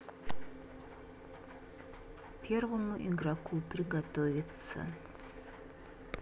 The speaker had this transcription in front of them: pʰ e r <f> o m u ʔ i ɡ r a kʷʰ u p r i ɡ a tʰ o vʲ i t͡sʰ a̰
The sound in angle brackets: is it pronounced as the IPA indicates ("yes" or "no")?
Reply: no